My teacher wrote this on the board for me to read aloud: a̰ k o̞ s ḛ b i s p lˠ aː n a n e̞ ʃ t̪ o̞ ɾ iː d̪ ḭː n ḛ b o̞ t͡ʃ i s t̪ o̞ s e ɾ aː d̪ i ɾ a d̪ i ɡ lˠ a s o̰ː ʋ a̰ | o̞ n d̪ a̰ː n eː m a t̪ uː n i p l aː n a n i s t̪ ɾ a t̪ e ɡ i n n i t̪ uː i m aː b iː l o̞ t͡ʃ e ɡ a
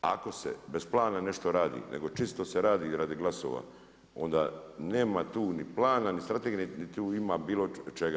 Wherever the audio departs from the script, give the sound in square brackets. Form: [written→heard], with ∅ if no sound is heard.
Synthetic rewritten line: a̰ k o̞ s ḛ b [i→e] s p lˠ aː n a n e̞ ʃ t̪ o̞ ɾ [iː→aː] d̪ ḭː n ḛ [b→ɡ] o̞ t͡ʃ i s t̪ o̞ s e ɾ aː d̪ i ɾ a d̪ i ɡ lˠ a s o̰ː ʋ a̰ | o̞ n d̪ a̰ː n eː m a t̪ uː n i p l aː n a n i s t̪ ɾ a t̪ e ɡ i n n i t̪ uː i m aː b iː l o̞ t͡ʃ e ɡ a

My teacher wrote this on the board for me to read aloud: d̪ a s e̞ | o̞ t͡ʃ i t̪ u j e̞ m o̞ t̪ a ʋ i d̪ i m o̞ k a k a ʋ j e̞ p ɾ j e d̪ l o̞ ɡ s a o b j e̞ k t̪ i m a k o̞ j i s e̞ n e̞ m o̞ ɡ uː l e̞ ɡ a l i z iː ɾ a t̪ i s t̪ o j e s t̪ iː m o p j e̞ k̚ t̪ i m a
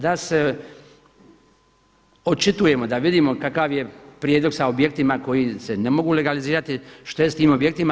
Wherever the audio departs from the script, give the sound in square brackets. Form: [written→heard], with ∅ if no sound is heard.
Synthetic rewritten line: d̪ a s e̞ | o̞ t͡ʃ i t̪ u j e̞ m o̞ [t̪→d̪] a ʋ i d̪ i m o̞ k a k a ʋ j e̞ p ɾ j e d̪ l o̞ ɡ s a o b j e̞ k t̪ i m a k o̞ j i s e̞ n e̞ m o̞ ɡ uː l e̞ ɡ a l i z iː ɾ a t̪ i [s→ʃ] t̪ o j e s t̪ iː m o [p→b] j e̞ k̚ t̪ i m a

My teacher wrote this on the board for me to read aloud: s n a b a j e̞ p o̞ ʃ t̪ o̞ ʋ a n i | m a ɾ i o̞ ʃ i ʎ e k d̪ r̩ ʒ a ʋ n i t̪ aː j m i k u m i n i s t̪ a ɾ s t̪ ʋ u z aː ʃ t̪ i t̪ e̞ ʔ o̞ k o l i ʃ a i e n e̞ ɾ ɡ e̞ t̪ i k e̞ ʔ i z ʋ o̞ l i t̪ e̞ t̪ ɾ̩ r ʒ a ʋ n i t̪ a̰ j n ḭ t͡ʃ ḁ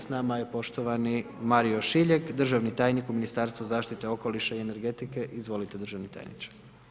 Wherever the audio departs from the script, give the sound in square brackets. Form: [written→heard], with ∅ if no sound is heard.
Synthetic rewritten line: s n a [b→m] a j e̞ p o̞ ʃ t̪ o̞ ʋ a n i | m a ɾ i o̞ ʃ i ʎ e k d̪ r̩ ʒ a ʋ n i t̪ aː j [m→n] i k u m i n i s t̪ a ɾ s t̪ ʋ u z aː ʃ t̪ i t̪ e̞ [ʔ→∅] o̞ k o l i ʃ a i e n e̞ ɾ ɡ e̞ t̪ i k e̞ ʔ i z ʋ o̞ l i t̪ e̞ [t̪→d̪] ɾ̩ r ʒ a ʋ n i t̪ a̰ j n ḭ t͡ʃ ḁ

